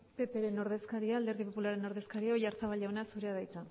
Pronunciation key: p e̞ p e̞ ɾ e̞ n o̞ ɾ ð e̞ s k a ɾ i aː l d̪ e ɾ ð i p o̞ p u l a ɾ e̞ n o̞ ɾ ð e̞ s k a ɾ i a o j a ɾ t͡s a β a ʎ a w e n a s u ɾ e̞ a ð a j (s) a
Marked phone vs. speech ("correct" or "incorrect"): incorrect